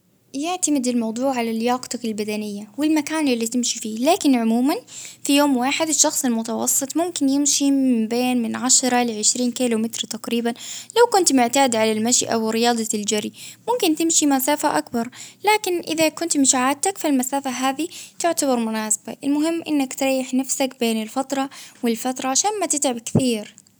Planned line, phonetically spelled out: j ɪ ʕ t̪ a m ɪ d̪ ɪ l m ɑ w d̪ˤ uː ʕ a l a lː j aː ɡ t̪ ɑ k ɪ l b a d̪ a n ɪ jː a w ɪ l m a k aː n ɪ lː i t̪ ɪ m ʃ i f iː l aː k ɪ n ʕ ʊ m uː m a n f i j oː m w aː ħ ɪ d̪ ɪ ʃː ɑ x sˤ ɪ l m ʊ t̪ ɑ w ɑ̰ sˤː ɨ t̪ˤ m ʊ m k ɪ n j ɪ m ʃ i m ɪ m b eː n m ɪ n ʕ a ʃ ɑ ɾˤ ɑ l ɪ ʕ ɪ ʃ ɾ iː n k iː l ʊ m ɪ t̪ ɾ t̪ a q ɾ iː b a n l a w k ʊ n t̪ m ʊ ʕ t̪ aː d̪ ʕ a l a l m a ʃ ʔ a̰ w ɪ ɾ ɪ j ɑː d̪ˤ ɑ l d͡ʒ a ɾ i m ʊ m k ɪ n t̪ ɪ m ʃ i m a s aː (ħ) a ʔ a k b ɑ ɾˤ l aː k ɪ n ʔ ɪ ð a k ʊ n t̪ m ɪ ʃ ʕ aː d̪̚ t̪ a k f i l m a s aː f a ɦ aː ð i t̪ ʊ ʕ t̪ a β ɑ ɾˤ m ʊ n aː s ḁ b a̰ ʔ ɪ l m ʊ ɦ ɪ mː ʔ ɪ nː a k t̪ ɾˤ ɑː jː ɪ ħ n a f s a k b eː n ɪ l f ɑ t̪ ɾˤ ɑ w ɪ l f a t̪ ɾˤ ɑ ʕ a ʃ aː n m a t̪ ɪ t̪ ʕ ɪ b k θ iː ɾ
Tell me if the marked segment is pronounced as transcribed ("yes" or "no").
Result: no